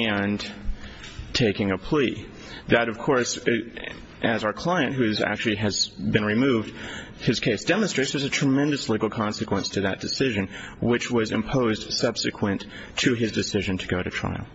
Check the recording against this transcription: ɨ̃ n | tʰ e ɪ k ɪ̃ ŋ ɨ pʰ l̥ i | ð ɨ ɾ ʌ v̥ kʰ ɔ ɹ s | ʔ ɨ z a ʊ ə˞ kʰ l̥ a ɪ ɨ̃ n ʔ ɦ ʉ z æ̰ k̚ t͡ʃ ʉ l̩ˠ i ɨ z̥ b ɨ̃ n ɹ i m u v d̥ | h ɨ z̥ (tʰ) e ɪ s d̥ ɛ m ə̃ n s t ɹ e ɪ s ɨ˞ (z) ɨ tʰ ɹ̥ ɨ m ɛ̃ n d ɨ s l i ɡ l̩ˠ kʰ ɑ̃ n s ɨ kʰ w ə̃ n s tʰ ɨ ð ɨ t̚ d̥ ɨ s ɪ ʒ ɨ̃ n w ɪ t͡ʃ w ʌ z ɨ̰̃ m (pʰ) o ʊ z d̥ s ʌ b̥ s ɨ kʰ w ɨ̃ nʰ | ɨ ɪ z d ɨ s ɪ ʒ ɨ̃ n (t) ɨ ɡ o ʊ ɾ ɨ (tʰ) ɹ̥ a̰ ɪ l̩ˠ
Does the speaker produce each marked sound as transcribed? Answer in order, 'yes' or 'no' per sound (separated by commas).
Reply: no, yes, yes, no, yes